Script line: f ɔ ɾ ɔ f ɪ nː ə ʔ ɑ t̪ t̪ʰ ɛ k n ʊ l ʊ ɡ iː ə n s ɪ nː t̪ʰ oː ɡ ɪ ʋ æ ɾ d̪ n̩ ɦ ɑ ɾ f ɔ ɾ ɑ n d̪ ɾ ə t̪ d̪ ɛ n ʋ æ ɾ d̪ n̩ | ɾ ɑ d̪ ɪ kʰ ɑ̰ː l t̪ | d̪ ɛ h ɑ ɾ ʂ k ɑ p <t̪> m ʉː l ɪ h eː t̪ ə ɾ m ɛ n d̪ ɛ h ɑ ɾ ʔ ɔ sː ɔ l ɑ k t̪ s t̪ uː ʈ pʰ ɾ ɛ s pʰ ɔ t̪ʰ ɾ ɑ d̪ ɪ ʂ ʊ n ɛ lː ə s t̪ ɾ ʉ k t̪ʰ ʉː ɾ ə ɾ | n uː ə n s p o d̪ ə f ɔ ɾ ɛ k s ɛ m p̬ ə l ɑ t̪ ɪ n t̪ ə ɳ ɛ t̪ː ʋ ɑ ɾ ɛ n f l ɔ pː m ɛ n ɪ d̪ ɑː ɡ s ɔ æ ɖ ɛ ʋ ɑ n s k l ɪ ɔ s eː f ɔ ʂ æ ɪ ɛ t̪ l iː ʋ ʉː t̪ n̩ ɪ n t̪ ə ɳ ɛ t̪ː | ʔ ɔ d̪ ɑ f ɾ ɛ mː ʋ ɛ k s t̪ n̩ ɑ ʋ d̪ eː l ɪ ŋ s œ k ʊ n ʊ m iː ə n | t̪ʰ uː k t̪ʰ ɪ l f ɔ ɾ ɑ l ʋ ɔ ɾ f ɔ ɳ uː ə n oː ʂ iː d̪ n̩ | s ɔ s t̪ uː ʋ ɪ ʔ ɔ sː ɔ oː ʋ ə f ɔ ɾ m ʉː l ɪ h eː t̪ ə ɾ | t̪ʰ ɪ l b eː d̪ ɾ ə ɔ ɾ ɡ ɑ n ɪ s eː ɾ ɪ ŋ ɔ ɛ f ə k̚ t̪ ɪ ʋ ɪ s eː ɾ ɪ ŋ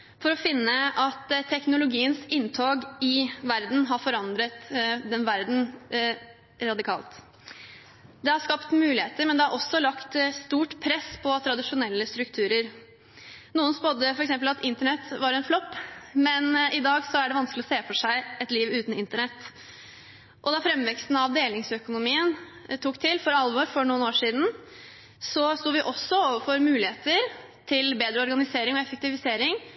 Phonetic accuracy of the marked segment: correct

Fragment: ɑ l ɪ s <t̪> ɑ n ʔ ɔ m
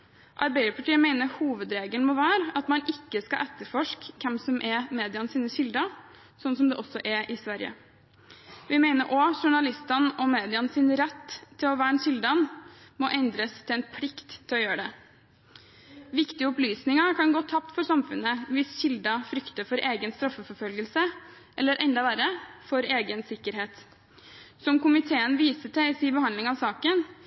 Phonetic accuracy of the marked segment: correct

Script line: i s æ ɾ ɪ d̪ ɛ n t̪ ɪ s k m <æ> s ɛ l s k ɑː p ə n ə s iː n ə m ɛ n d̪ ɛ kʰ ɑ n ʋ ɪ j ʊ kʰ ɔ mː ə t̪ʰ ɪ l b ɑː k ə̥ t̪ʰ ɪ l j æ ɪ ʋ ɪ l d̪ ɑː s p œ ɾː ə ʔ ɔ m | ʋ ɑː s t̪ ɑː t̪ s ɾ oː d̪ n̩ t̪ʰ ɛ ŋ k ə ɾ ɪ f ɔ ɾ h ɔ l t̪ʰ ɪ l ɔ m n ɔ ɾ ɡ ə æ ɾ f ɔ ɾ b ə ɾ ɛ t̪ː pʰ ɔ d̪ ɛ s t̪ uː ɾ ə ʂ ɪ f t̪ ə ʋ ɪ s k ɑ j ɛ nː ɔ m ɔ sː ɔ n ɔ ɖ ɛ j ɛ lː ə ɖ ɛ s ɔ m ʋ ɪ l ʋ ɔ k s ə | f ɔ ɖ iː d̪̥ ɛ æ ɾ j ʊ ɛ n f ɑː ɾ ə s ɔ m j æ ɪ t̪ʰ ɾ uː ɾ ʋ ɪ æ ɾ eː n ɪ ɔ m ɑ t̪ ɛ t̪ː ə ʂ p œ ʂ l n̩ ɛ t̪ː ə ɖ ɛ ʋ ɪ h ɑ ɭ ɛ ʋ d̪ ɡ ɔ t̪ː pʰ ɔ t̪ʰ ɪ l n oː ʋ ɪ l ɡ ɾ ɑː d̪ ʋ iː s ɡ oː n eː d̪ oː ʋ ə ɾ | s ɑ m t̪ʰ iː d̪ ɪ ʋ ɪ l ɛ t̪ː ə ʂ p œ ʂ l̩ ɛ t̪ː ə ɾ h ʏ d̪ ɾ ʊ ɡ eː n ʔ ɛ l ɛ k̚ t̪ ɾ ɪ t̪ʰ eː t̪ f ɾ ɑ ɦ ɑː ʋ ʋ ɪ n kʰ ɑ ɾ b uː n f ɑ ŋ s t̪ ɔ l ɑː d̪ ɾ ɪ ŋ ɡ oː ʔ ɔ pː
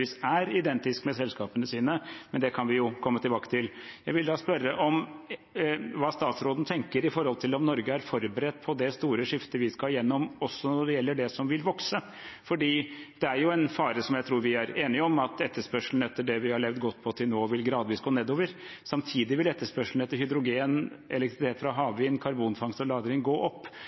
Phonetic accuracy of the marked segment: incorrect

